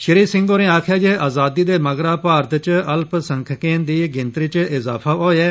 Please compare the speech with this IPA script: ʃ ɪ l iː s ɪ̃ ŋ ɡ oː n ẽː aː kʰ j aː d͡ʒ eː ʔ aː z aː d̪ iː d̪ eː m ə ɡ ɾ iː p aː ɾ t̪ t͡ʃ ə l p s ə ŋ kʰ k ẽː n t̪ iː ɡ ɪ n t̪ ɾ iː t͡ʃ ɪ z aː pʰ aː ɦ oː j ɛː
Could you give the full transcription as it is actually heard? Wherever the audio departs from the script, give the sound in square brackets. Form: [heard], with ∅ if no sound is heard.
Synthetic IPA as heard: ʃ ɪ [ɾ] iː s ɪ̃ ŋ ɡ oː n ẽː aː kʰ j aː d͡ʒ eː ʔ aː z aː d̪ iː d̪ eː m ə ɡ ɾ [aː] p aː ɾ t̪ t͡ʃ ə l p s ə ŋ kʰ k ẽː n [d̪] iː ɡ ɪ n t̪ ɾ iː t͡ʃ ɪ z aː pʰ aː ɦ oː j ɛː